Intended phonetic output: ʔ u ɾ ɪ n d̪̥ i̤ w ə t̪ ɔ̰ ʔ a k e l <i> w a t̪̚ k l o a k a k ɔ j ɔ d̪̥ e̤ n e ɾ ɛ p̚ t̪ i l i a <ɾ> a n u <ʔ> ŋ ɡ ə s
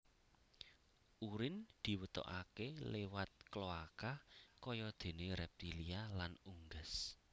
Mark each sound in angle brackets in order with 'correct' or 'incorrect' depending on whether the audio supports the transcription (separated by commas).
incorrect, incorrect, incorrect